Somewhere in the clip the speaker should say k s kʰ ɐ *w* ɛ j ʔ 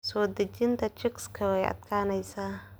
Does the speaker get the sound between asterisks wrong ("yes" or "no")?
no